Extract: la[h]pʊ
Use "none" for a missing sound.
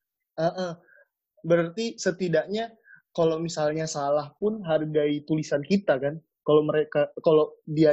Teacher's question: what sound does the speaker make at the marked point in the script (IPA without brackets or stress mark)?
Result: h